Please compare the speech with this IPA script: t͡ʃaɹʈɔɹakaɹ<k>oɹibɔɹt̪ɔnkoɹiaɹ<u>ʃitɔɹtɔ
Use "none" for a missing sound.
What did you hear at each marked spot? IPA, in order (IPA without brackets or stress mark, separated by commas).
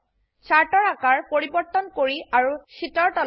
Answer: p, u